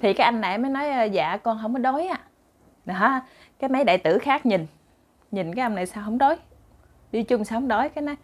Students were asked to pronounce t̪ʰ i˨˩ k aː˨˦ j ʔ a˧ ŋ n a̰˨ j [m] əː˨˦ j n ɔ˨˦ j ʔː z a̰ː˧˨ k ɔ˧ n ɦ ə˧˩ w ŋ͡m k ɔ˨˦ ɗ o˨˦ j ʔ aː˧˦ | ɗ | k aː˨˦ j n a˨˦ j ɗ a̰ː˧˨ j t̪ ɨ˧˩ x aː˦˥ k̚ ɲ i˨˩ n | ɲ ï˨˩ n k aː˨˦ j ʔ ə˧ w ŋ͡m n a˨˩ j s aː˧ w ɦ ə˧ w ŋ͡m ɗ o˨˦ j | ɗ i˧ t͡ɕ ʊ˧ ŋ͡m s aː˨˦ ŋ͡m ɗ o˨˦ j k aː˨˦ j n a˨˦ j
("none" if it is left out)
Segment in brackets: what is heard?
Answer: m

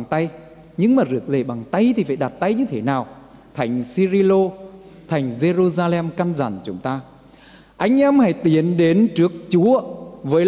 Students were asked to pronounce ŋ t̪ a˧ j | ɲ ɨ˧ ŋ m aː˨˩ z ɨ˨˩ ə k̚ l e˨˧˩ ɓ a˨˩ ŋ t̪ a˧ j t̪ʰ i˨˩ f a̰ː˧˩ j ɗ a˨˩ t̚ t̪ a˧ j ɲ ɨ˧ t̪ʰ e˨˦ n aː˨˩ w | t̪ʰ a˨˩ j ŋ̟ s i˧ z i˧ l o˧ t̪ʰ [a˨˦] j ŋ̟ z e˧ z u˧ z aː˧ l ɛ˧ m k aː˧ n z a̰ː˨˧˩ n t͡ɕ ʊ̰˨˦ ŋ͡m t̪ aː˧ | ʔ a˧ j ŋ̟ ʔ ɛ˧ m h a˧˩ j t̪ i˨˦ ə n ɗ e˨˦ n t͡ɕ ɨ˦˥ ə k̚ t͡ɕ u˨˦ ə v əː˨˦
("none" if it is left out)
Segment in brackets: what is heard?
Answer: a˨˩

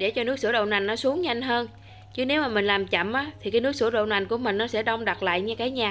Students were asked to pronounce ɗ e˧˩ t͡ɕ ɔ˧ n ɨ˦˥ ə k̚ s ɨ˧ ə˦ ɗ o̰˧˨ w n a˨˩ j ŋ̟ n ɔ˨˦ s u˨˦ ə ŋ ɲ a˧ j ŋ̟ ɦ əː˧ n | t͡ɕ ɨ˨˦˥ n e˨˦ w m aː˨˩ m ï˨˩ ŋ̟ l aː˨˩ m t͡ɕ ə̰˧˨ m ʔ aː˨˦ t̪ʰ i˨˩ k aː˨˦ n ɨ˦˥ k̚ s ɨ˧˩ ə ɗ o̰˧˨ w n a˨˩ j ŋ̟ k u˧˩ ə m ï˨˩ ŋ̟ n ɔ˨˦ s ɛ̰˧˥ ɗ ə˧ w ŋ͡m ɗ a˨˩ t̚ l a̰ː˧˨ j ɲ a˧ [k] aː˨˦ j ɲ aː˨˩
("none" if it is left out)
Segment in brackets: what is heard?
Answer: k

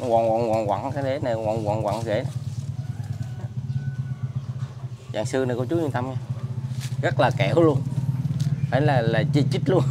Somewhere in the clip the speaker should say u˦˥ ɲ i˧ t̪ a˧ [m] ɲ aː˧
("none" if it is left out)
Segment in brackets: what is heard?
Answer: m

